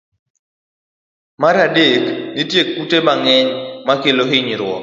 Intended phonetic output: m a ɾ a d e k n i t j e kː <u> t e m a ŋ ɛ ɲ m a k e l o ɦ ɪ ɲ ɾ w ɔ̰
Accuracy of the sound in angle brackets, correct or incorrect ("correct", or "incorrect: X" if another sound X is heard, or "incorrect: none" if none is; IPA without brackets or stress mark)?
correct